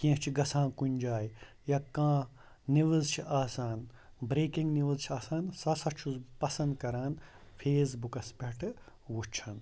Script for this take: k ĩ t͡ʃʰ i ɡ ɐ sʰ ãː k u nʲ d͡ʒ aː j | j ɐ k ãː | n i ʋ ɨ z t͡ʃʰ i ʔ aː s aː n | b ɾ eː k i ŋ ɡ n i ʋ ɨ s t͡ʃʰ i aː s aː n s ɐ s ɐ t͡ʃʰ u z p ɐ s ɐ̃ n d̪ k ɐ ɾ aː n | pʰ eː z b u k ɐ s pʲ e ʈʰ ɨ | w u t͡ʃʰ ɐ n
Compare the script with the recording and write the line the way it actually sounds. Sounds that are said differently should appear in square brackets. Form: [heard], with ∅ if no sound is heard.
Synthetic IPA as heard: k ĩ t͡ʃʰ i ɡ ɐ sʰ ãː k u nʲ d͡ʒ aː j | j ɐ k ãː | n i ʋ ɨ z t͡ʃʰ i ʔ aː s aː n | b ɾ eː k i ŋ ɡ n i ʋ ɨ [z] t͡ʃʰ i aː s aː n s ɐ s ɐ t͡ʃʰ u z p ɐ s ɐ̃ n d̪ k ɐ ɾ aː n | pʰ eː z b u k ɐ s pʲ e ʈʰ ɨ | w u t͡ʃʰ ɐ n